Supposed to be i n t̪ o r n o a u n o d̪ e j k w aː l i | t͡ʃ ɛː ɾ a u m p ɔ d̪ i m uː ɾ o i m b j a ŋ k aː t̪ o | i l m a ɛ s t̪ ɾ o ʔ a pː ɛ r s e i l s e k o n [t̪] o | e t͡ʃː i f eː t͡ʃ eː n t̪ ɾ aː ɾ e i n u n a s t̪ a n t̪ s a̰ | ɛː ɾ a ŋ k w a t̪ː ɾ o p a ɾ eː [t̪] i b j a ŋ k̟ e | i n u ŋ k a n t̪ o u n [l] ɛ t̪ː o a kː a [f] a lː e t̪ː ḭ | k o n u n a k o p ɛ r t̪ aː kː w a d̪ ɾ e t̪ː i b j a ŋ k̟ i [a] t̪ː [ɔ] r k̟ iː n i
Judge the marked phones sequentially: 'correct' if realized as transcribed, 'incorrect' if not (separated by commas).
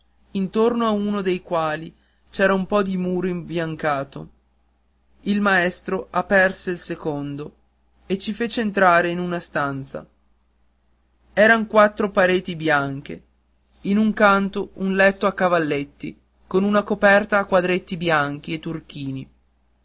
incorrect, correct, correct, incorrect, incorrect, incorrect